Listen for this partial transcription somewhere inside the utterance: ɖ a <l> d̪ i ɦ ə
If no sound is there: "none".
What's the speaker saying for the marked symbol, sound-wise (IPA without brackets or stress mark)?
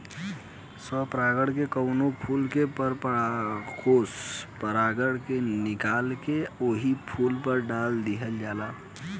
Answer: l